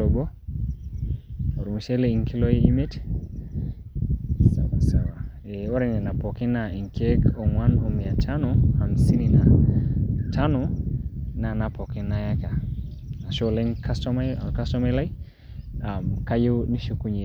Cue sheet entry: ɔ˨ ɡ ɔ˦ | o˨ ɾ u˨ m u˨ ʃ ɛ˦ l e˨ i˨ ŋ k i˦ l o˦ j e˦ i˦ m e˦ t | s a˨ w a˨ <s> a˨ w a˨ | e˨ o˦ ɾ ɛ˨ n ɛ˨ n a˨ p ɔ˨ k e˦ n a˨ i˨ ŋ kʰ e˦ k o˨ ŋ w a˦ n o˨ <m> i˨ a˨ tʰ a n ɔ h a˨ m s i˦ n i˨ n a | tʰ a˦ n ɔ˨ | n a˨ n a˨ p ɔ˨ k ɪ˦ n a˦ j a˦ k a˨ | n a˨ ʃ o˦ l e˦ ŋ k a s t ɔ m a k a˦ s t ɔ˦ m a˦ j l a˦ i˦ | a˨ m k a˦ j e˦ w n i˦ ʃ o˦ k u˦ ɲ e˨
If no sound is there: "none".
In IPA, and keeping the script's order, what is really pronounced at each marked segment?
s, m

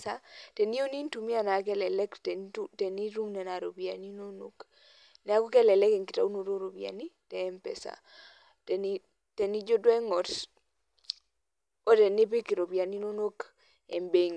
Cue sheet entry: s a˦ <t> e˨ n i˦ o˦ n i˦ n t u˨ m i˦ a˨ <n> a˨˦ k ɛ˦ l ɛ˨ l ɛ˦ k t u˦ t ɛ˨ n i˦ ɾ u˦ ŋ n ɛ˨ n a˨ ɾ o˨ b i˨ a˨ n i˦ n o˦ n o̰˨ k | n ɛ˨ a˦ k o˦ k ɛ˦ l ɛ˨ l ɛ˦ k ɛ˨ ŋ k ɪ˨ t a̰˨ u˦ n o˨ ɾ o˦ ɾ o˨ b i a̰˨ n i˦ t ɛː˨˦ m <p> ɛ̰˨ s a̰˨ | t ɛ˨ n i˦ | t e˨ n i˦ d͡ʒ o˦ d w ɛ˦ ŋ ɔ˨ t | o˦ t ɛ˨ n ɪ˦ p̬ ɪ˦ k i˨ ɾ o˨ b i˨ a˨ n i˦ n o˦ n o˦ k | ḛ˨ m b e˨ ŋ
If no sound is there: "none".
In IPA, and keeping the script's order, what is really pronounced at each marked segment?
t, n, p

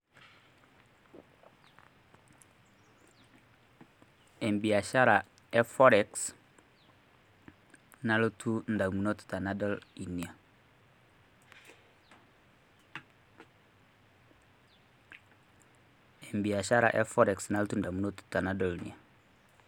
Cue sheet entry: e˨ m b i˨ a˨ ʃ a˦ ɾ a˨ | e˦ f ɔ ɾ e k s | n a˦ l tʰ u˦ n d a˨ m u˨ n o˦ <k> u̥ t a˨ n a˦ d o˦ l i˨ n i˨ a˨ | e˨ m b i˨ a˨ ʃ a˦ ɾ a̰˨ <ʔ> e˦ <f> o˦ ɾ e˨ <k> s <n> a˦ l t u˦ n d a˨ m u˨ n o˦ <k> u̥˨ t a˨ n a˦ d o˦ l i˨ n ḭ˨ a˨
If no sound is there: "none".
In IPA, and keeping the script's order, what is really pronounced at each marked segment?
t, ʔ, f, k, n, t

